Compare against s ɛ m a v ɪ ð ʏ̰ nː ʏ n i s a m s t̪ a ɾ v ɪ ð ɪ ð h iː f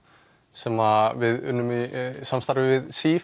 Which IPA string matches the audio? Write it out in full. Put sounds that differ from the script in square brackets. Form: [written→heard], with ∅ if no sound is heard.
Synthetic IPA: s ɛ m a v ɪ ð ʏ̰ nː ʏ [n→m] i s a m s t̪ a ɾ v ɪ [ð→v] ɪ ð [h→s] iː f

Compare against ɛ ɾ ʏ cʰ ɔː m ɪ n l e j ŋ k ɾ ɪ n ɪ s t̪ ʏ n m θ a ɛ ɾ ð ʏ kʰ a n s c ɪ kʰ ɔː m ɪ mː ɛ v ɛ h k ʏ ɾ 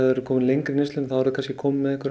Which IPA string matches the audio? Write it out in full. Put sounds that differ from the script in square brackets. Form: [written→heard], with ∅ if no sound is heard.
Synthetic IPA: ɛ ɾ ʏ [cʰ→kʰ] ɔː m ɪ n l e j ŋ k ɾ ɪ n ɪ s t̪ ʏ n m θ a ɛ ɾ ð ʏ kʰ a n s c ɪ kʰ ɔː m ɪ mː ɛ [v→ð] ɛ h k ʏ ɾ

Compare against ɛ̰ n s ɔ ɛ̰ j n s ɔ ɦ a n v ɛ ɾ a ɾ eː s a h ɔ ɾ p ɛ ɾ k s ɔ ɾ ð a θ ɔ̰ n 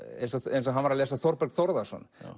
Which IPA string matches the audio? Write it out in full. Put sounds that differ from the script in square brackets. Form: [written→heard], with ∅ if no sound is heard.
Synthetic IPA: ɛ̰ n s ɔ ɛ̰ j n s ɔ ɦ a n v [ɛ→a] ɾ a [ɾ→l] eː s a [h→θ] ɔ ɾ p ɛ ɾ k [s→θ] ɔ ɾ ð a [θ→s] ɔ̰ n

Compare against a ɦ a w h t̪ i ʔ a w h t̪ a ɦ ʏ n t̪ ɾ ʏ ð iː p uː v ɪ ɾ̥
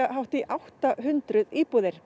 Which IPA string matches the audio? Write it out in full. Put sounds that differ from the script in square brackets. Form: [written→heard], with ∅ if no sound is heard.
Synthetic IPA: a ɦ a w h t̪ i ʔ a w h t̪ a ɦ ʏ n t̪ ɾ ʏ ð iː p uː [v→ð] ɪ ɾ̥

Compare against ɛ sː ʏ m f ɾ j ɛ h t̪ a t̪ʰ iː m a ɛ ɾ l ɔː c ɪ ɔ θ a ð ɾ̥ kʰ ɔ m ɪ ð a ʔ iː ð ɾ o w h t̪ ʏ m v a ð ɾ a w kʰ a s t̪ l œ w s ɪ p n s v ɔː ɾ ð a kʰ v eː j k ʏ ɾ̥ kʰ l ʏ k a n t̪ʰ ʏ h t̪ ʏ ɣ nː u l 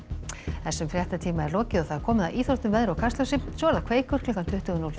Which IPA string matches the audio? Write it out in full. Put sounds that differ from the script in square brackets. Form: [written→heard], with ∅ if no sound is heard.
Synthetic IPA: ɛ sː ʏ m f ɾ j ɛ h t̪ a t̪ʰ iː m a ɛ ɾ l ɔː c ɪ ɔ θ a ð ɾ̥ kʰ [ɔ→ɔː] m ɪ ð a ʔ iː [ð→θ] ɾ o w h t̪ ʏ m v [a→ɛ] ð ɾ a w kʰ a s t̪ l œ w s ɪ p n s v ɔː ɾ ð a kʰ v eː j k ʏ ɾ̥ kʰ l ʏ k a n t̪ʰ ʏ h t̪ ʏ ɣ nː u l

